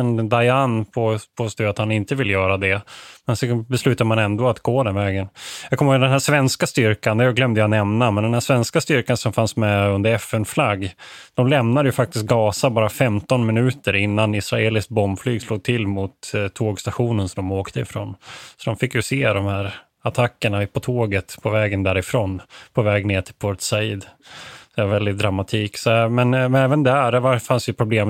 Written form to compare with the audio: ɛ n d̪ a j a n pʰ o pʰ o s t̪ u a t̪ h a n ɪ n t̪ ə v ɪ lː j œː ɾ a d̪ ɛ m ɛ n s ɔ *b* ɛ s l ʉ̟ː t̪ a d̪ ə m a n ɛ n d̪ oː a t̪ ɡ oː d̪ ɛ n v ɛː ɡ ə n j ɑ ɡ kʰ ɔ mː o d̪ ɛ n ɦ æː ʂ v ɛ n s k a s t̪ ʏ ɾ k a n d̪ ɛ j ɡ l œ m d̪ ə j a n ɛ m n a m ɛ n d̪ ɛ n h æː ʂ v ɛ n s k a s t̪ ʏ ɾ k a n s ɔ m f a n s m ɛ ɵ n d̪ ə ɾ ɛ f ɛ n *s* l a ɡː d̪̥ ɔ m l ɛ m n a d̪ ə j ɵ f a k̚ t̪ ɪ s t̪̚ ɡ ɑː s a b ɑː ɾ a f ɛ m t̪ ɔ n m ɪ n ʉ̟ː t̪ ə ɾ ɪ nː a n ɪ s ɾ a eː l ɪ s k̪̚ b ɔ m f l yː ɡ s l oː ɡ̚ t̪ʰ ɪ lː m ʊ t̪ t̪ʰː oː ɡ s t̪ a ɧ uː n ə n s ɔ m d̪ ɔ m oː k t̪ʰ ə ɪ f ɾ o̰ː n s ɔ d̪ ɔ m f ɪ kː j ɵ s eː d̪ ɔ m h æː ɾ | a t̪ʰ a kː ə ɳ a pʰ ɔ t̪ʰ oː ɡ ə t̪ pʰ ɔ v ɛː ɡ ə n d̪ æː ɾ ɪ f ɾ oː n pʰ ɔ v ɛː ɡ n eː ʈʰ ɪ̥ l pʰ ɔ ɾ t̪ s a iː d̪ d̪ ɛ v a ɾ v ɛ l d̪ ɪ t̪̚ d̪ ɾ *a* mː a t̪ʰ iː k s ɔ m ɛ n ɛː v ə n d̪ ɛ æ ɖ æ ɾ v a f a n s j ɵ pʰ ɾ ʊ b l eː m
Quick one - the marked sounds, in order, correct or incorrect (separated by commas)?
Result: correct, incorrect, correct